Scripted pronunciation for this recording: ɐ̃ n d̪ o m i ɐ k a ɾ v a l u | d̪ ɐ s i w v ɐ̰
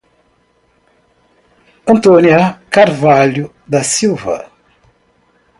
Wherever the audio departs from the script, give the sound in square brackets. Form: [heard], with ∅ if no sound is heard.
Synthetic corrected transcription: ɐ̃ n [t̪] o [n] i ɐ k a ɾ v a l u | d̪ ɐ s i w v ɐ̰